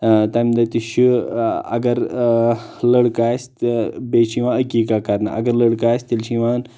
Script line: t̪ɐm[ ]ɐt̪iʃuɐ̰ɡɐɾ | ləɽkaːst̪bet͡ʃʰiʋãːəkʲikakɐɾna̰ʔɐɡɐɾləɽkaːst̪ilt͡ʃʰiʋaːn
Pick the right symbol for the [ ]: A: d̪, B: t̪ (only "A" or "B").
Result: A